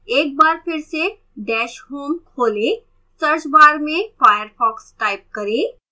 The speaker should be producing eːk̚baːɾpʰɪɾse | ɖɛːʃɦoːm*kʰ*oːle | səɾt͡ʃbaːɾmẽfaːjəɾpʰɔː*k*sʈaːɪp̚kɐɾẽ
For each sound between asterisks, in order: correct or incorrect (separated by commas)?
correct, correct